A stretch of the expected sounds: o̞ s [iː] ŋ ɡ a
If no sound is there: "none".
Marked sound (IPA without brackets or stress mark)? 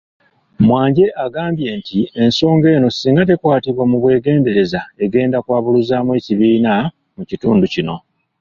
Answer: iː